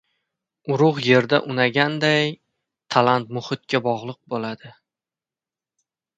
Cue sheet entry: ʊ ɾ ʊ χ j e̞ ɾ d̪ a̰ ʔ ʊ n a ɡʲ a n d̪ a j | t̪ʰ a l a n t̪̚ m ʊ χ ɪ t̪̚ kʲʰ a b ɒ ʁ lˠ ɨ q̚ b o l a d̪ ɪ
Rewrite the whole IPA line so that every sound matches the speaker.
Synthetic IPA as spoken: ʊ ɾ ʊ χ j e̞ ɾ d̪ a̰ ʔ ʊ n a ɡʲ a n d̪ a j | t̪ʰ a l a n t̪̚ m ʊ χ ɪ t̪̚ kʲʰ a b ɒ ʁ lˠ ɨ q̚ b o l a d̪ ɪ

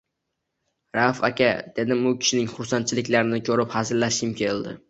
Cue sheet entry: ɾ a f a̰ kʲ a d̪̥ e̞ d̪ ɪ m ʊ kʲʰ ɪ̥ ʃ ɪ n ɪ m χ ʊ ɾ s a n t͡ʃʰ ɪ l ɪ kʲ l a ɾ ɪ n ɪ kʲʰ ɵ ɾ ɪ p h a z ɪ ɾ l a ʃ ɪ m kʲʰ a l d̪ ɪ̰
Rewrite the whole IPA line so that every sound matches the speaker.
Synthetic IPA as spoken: ɾ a f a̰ kʲ a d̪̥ e̞ d̪ ɪ m ʊ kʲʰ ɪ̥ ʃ ɪ n ɪ ŋ χ ʊ ɾ s a n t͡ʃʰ ɪ l ɪ kʲ l a ɾ ɪ n ɪ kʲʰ ɵ ɾ ɪ p h a z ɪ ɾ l a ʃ ɪ m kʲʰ e l d̪ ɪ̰

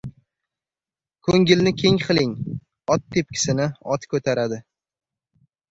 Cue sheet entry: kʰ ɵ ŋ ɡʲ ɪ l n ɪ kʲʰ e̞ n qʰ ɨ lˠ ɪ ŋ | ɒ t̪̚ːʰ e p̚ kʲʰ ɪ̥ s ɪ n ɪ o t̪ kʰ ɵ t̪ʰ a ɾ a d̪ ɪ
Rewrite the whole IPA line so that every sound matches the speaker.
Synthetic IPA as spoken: kʰ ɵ ŋ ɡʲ ɪ l n ɪ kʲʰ e̞ ŋ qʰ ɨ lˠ ɪ ŋ | ɒ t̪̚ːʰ e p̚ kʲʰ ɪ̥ s ɪ n ɪ ɒ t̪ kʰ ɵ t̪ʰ a ɾ a d̪ ɪ

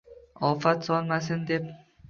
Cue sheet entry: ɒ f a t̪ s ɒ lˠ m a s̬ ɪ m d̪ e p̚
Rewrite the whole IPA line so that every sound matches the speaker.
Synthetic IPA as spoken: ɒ f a t̪ s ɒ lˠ m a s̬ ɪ n d̪ e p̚

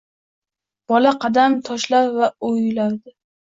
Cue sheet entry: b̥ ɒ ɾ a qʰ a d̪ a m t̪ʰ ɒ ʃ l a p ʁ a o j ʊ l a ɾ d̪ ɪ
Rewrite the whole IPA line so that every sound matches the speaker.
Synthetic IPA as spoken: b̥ ɒ l a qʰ ɑ d̪ a m t̪ʰ ɒ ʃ l a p v a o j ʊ l a ɾ d̪ ɪ

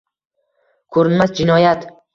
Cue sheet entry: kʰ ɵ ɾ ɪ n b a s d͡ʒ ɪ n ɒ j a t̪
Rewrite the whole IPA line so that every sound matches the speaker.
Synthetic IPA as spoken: kʰ ɵ ɾ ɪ n m a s d͡ʒ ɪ n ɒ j a t̪

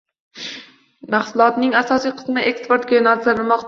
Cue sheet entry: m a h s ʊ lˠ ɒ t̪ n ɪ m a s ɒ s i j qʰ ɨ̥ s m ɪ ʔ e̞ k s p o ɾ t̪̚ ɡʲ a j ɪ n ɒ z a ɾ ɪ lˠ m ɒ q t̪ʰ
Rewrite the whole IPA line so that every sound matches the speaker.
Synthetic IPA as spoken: m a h s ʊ lˠ ɒ t̪ n ɪ ŋ a s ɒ s i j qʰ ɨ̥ s m ɪ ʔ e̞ k s p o ɾ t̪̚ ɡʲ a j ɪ n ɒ z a ɾ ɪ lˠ m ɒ q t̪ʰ

